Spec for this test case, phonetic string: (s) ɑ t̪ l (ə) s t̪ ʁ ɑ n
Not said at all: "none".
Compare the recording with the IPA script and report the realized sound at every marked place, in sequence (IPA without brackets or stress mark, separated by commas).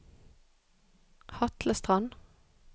h, ə